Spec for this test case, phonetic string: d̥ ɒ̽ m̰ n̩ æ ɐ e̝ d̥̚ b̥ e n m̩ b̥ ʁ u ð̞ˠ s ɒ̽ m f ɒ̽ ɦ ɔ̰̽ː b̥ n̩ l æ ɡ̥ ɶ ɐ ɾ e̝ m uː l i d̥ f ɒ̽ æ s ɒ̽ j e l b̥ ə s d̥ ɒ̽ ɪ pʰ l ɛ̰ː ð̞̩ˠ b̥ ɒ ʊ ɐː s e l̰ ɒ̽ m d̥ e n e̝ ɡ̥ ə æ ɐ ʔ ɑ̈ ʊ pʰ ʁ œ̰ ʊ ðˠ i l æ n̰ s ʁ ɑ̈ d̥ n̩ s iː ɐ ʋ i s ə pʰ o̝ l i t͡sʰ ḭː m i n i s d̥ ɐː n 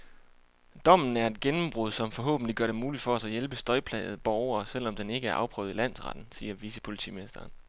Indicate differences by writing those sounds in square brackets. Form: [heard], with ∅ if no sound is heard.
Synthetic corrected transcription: d̥ ɒ̽ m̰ n̩ æ ɐ e̝ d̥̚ [ɡ̥] e n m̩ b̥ ʁ u ð̞ˠ s ɒ̽ m f ɒ̽ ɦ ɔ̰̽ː b̥ n̩ l [i] ɡ̥ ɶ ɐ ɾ e̝ m uː l i d̥ f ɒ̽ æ s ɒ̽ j e l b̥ ə s d̥ ɒ̽ ɪ pʰ l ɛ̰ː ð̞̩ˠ b̥ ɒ ʊ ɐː s e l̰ ɒ̽ m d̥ e n e̝ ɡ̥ ə æ ɐ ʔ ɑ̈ ʊ pʰ ʁ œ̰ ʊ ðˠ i l æ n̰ s ʁ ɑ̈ d̥ n̩ s iː ɐ ʋ i s ə pʰ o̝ l i t͡sʰ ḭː m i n i s d̥ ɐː n